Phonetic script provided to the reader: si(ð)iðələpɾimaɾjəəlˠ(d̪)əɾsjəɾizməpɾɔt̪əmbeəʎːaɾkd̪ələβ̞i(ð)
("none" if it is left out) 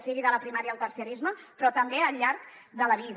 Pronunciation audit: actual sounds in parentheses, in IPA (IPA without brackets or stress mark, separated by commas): ɣ, t̪, ð